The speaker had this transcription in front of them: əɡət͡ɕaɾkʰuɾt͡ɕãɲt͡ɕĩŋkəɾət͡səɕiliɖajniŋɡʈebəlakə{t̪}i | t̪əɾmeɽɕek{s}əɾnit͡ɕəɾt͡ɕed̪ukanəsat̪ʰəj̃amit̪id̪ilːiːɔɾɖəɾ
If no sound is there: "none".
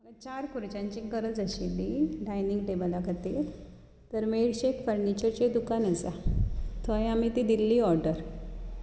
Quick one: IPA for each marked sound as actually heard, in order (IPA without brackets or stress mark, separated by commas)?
t̪, f